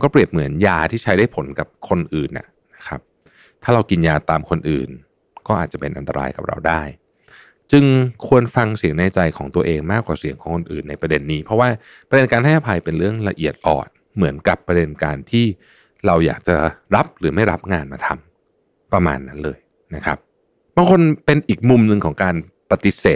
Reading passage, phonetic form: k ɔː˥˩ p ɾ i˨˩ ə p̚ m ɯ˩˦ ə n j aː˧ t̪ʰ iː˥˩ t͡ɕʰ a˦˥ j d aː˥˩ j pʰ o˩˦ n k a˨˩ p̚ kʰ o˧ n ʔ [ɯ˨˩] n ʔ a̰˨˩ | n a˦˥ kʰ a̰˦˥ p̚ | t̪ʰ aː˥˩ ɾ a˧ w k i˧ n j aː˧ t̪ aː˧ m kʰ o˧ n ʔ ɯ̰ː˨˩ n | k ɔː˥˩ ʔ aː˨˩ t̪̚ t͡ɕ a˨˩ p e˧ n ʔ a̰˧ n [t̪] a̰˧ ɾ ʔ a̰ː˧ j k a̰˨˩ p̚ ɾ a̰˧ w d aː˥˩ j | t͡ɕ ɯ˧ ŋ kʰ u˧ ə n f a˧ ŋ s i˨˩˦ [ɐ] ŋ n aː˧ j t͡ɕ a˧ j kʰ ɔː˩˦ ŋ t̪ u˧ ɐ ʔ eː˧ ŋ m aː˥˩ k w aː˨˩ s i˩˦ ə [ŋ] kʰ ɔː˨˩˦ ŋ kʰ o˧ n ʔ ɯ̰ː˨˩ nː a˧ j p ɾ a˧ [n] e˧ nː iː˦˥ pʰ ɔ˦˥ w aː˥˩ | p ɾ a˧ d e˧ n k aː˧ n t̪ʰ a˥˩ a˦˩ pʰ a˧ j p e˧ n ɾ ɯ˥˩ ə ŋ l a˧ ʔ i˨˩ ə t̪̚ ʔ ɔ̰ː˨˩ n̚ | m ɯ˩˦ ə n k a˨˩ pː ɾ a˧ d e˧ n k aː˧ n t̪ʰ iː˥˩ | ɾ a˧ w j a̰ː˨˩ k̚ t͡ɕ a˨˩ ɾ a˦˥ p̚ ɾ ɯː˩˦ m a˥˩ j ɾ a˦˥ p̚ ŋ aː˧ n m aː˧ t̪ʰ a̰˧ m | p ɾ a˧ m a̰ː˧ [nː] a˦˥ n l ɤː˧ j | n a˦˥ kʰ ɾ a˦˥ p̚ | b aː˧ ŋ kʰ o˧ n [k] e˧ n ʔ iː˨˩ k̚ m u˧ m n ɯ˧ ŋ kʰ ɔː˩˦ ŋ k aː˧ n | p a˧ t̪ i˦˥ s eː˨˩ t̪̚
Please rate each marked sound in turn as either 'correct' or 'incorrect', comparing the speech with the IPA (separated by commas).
incorrect, correct, incorrect, correct, incorrect, correct, incorrect